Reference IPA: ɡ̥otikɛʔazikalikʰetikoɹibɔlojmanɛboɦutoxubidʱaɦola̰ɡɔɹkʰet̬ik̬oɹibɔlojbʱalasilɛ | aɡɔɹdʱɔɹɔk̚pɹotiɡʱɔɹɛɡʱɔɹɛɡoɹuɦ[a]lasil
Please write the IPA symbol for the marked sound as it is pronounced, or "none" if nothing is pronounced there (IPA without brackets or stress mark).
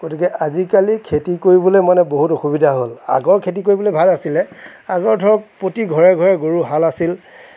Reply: a